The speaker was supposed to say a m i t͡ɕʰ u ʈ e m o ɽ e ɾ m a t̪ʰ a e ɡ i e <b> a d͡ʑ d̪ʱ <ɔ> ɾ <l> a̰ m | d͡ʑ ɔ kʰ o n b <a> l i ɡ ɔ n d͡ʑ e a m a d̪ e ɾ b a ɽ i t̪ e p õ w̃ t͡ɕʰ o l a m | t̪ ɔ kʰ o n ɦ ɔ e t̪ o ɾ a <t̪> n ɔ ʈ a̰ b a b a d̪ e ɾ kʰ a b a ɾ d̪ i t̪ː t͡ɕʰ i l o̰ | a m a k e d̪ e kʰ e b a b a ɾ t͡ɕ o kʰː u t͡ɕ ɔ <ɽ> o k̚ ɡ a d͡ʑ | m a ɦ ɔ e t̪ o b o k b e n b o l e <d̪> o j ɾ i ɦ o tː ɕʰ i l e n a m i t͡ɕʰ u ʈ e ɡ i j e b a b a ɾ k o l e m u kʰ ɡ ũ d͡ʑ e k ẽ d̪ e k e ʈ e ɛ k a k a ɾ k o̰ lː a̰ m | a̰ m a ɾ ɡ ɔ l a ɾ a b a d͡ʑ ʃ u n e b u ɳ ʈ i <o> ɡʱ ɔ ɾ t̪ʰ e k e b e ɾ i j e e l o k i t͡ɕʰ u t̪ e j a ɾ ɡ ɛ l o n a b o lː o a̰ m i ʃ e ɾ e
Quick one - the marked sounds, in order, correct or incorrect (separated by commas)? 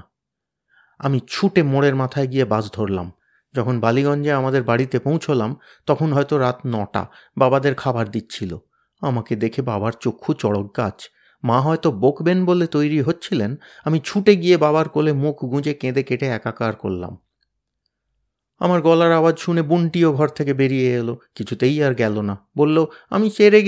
correct, incorrect, correct, correct, correct, correct, incorrect, correct